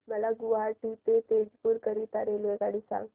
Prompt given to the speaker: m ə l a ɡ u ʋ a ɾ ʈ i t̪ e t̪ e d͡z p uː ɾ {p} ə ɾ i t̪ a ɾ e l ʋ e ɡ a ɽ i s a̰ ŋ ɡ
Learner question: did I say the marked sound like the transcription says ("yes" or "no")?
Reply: no